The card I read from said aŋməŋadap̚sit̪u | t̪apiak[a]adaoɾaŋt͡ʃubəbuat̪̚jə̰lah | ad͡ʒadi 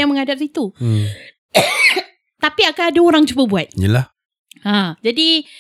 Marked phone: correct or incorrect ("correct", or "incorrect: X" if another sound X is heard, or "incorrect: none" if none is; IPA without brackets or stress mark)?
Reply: correct